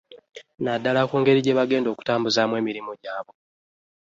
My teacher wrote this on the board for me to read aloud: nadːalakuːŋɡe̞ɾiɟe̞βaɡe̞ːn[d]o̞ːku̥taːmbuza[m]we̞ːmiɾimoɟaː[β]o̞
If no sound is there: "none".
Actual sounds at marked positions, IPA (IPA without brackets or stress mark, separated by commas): d, m, β